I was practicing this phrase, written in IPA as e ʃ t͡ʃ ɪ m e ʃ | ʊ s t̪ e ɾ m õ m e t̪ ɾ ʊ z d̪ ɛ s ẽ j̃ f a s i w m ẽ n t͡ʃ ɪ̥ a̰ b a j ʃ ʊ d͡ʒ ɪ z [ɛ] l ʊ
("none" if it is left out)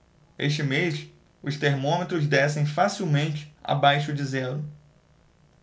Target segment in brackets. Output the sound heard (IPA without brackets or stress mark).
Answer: ɛ